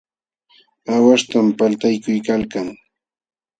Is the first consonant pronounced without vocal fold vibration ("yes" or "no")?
no